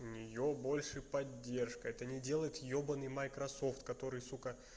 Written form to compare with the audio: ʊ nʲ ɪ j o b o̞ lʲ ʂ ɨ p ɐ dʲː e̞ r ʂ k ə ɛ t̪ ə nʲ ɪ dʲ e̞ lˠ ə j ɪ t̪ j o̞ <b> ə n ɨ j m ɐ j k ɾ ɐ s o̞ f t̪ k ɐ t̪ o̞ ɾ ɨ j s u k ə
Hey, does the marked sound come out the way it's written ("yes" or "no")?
yes